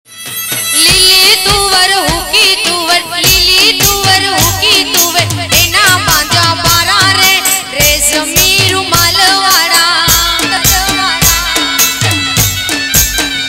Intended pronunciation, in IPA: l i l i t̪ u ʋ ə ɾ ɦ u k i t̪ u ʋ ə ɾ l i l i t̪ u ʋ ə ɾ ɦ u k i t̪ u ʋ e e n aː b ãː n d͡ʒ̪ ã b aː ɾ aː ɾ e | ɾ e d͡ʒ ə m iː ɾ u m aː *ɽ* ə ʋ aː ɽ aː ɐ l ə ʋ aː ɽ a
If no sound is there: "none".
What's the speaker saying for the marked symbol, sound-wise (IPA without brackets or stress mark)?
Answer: l